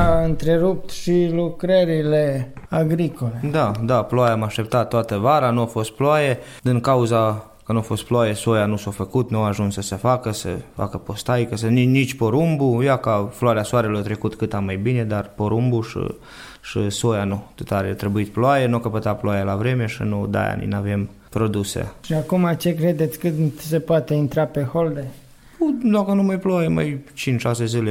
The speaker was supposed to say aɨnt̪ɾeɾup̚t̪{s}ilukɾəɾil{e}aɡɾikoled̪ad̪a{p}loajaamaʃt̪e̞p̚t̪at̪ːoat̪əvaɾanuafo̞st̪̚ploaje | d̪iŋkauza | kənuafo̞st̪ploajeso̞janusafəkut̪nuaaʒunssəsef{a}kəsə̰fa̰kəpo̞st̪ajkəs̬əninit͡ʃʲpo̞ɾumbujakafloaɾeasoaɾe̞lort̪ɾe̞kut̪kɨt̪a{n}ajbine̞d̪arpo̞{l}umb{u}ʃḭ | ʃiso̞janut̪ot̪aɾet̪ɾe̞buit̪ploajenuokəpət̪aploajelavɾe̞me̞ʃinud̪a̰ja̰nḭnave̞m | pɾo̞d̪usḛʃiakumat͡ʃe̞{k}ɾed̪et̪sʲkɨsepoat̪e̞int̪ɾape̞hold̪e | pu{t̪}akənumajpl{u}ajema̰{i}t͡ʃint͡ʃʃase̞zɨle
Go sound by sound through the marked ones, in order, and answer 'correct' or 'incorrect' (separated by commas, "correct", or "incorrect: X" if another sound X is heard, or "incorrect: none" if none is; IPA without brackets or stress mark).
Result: incorrect: ʃ, correct, correct, correct, incorrect: m, incorrect: ɾ, correct, correct, incorrect: d̪, incorrect: o, incorrect: j